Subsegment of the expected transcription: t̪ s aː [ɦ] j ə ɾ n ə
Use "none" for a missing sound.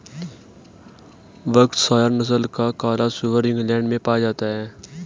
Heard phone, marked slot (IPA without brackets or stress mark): none